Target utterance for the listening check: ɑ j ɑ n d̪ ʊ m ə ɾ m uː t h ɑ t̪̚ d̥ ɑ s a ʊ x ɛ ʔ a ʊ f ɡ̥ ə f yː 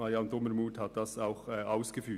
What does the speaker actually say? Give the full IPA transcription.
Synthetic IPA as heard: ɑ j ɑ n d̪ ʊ m ə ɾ m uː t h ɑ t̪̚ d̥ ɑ s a ʊ x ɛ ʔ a ʊ s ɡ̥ ə f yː